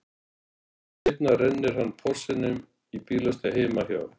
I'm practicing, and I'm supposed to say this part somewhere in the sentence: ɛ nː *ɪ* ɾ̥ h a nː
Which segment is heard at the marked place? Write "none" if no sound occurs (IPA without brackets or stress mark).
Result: ɪ